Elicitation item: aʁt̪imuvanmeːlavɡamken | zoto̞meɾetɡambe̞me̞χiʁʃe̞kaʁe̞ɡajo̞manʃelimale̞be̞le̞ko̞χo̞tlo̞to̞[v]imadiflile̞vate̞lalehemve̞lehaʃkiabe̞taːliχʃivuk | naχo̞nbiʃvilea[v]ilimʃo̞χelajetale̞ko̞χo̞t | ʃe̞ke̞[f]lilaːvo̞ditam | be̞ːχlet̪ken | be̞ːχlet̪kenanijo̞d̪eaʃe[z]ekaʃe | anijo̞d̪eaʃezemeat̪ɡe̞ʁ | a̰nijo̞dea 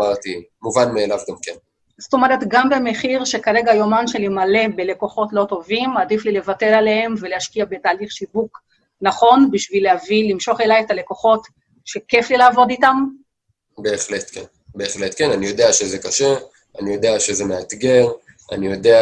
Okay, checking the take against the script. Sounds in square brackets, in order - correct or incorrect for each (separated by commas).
correct, correct, correct, correct